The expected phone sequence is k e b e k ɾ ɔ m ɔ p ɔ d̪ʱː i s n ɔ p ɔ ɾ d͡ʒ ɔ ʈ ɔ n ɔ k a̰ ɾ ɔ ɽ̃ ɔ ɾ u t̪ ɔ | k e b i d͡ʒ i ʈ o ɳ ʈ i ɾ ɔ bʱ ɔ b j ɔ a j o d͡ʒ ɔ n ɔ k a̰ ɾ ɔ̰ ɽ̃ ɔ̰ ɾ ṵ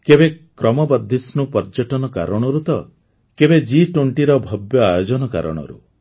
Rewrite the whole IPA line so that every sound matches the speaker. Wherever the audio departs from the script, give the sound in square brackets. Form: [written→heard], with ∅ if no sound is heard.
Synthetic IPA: k e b e k ɾ ɔ m ɔ [p→b] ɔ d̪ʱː i s n [ɔ→u] p ɔ ɾ d͡ʒ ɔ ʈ ɔ n ɔ k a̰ ɾ ɔ ɽ̃ ɔ ɾ u t̪ ɔ | k e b [i→e] d͡ʒ i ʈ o ɳ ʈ i ɾ ɔ bʱ ɔ b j ɔ a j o d͡ʒ ɔ n ɔ k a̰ ɾ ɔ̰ ɽ̃ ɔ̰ ɾ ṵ